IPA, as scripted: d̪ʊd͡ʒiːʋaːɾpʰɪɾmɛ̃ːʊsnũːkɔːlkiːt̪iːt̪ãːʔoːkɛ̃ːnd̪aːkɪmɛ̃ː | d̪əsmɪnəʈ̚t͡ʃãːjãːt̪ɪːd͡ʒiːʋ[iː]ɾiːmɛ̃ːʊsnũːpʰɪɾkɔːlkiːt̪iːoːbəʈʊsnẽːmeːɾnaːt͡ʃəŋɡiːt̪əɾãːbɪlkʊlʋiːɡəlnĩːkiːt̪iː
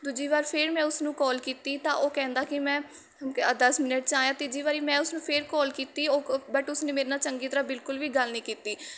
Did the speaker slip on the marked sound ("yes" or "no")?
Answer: yes